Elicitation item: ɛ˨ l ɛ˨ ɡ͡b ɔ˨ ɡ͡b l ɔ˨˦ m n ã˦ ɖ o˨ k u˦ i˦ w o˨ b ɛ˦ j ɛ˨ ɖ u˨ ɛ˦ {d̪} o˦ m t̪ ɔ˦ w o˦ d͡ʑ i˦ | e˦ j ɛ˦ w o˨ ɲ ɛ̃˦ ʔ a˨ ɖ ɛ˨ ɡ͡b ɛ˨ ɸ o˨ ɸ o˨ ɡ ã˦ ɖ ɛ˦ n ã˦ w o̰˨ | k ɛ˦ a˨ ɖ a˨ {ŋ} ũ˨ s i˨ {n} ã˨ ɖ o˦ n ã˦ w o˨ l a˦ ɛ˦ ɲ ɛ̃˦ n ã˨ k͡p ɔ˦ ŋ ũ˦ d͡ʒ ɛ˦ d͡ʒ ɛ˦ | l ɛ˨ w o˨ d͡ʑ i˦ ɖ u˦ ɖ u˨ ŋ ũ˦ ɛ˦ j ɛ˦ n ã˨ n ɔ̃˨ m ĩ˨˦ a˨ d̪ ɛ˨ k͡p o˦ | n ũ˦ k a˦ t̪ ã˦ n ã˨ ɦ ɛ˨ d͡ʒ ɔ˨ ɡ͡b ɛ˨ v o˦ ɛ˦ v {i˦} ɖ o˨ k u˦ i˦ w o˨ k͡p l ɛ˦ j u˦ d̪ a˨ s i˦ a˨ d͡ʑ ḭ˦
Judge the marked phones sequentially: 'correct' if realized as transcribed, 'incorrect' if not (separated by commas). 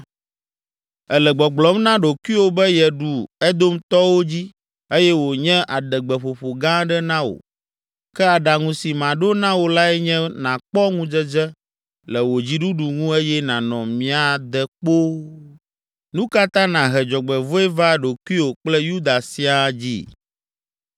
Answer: correct, correct, incorrect, incorrect